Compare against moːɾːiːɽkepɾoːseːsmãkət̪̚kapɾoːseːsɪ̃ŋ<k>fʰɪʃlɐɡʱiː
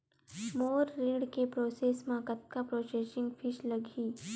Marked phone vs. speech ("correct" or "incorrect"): incorrect